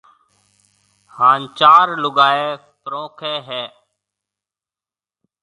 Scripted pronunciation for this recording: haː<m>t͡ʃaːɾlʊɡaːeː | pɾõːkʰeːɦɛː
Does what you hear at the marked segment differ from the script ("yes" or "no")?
yes